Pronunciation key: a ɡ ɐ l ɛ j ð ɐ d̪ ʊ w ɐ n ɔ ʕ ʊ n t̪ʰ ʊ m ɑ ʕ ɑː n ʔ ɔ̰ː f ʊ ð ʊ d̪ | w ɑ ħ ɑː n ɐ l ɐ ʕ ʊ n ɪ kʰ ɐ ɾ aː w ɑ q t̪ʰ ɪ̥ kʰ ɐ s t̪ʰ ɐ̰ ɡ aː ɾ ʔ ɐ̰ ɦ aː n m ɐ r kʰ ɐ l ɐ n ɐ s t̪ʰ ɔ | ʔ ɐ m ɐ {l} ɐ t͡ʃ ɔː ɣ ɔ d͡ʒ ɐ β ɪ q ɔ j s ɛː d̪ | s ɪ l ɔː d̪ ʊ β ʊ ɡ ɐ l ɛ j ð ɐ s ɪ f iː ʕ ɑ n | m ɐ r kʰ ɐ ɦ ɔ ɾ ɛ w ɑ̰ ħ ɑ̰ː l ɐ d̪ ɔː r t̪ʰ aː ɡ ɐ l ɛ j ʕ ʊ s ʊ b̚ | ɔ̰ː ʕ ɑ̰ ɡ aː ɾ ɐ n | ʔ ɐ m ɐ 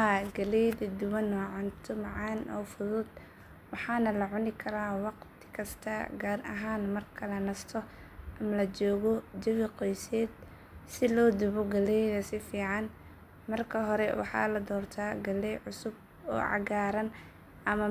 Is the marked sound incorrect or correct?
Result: correct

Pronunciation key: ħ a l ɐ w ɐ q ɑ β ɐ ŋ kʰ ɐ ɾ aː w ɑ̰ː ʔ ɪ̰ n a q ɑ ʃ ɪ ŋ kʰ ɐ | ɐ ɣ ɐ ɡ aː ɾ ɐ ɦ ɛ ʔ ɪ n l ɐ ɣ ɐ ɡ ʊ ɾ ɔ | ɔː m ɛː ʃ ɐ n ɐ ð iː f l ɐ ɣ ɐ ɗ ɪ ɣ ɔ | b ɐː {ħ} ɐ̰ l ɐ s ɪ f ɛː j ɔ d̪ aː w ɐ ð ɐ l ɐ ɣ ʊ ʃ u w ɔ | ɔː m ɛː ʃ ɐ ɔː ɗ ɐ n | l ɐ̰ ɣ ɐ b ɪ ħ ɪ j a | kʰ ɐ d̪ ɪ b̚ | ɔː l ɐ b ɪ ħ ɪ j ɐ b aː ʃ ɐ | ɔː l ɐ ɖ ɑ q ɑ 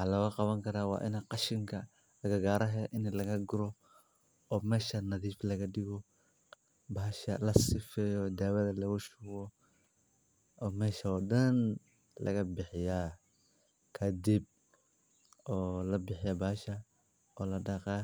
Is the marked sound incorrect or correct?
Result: incorrect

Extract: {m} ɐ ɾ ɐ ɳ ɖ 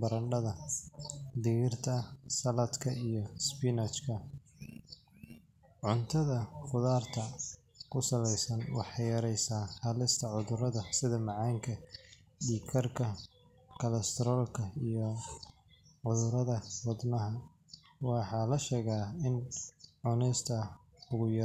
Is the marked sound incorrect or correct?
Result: incorrect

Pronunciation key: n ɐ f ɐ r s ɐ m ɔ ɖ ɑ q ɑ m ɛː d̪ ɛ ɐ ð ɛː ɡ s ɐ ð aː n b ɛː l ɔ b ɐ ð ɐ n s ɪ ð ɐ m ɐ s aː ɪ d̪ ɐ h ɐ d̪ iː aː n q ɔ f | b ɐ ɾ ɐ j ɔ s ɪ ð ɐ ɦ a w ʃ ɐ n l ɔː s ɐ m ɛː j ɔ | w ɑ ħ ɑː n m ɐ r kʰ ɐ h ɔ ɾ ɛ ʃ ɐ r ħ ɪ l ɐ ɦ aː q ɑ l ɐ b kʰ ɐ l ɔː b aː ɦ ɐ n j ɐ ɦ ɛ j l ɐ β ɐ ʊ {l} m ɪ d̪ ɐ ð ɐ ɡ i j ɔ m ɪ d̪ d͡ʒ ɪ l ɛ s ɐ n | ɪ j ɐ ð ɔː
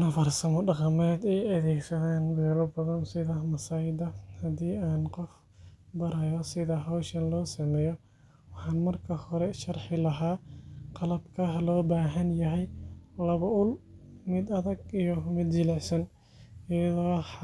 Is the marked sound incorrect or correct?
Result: correct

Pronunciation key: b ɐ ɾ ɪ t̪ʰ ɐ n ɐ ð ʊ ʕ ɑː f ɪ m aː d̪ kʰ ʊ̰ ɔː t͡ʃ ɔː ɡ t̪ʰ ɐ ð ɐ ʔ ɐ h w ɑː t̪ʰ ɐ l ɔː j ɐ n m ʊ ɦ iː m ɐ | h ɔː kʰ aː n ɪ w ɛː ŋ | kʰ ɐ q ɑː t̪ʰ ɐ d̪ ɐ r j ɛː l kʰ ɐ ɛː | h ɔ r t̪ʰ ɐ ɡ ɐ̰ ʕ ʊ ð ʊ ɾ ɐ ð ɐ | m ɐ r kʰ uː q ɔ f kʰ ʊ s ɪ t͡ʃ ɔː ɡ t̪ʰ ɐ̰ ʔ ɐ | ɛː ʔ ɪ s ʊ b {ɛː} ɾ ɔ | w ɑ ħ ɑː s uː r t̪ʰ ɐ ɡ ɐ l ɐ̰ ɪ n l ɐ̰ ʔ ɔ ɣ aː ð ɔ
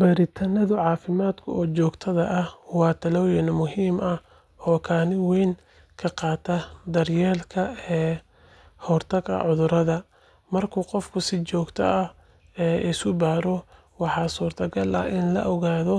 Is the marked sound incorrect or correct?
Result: incorrect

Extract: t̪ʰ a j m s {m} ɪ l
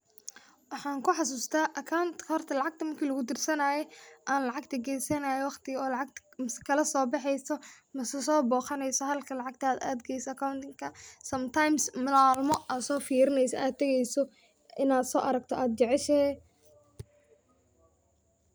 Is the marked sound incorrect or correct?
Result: correct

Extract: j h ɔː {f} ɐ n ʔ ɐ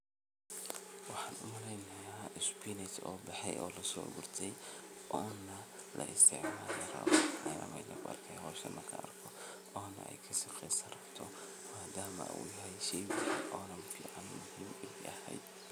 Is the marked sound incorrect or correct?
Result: incorrect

